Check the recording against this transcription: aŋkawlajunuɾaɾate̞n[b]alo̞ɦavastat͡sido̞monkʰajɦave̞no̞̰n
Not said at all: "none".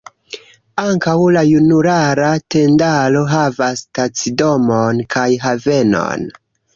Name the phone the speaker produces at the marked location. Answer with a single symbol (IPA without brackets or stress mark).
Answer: d